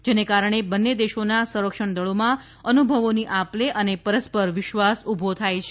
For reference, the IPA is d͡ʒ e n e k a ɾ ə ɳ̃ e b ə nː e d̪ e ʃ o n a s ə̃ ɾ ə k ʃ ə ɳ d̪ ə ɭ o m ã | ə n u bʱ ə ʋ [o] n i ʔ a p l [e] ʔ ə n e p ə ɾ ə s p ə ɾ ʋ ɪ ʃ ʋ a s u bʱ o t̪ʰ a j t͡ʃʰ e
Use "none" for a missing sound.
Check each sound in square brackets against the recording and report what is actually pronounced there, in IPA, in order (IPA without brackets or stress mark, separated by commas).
o, e